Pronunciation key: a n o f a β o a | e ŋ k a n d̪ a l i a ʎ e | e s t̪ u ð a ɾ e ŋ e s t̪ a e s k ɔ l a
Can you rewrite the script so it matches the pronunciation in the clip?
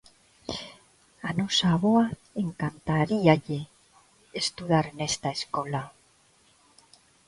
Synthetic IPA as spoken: a n o s a β o a | e ŋ k a n t̪ a ɾ i a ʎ e | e s t̪ u ð a ɾ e n e s t̪ a e s k o l a